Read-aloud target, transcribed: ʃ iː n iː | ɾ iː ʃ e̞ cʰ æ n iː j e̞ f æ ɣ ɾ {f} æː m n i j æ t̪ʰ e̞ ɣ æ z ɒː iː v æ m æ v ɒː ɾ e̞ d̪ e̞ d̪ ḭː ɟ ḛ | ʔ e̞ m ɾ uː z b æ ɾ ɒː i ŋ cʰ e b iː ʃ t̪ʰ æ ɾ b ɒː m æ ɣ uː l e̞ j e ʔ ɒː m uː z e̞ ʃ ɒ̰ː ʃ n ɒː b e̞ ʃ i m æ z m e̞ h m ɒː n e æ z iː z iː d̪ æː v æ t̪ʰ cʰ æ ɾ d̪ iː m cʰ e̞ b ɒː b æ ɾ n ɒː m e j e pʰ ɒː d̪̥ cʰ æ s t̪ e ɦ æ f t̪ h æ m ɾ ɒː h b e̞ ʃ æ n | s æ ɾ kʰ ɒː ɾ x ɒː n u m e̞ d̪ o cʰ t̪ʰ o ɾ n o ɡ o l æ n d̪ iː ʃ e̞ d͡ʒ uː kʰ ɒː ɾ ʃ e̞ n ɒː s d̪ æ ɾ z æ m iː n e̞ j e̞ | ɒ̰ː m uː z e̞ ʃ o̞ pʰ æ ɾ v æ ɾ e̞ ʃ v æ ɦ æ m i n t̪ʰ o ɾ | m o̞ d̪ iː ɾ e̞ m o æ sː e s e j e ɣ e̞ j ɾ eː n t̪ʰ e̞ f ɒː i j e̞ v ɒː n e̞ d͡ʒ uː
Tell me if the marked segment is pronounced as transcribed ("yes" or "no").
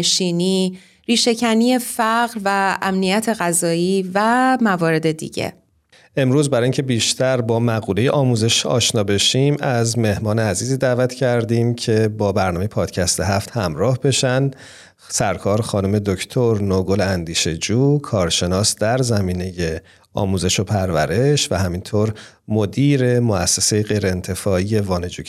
no